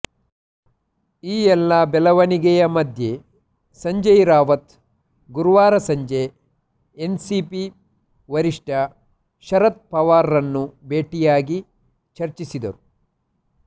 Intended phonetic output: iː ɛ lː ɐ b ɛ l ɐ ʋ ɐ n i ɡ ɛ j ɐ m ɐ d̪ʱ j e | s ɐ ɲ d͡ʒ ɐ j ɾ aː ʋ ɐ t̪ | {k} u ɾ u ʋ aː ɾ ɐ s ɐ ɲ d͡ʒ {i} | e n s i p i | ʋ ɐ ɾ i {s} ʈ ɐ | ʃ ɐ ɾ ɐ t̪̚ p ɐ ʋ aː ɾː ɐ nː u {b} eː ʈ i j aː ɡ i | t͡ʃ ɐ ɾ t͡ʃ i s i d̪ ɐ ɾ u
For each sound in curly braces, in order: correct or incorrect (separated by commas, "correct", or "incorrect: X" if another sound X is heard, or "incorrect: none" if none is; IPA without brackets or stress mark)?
incorrect: ɡ, incorrect: e, incorrect: ʂ, correct